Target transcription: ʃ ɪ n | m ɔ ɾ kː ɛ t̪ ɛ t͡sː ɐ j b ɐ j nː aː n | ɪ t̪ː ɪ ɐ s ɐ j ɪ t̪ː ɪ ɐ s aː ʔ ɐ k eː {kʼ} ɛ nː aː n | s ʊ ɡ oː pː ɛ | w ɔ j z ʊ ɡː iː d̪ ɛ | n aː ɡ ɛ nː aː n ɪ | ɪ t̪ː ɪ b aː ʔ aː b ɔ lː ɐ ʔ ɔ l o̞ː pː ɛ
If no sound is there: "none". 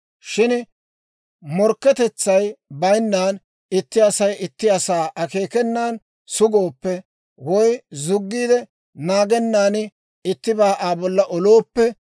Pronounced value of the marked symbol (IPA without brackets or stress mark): k